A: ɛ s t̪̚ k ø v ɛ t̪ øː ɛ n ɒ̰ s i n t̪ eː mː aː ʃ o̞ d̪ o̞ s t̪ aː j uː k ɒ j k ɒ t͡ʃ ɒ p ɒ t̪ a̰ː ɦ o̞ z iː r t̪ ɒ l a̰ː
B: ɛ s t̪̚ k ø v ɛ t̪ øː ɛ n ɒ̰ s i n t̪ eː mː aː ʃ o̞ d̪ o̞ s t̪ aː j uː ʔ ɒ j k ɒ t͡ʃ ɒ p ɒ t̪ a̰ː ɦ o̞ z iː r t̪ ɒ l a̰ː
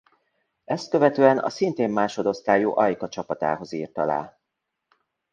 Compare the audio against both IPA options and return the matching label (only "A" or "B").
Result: B